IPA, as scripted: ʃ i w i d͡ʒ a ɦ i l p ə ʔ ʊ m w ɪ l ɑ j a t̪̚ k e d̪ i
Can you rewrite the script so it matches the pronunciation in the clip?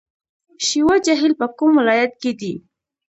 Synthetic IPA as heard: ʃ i w a d͡ʒ a ɦ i l p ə k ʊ m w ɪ l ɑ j a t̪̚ k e d̪ i